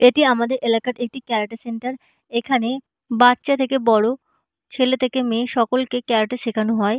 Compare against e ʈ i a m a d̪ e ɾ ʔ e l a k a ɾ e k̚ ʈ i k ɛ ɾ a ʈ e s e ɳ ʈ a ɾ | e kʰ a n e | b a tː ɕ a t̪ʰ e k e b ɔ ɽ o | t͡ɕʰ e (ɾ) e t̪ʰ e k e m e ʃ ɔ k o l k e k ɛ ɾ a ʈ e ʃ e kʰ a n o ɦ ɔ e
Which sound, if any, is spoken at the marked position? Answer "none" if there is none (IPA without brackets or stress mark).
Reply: l